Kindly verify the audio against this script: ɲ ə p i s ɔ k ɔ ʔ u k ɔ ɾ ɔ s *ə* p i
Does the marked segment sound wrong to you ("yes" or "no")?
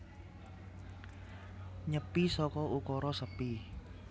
no